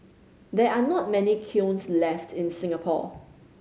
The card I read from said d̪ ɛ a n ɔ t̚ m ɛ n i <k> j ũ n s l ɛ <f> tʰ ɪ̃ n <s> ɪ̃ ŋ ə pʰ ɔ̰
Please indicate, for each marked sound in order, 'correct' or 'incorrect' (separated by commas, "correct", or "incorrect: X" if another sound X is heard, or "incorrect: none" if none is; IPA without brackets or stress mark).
incorrect: kʰ, correct, correct